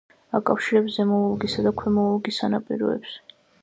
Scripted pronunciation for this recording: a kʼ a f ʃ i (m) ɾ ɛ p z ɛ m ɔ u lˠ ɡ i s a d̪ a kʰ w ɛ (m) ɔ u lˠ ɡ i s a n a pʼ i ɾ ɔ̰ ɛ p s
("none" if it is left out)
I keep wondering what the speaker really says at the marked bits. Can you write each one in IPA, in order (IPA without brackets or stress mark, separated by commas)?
none, m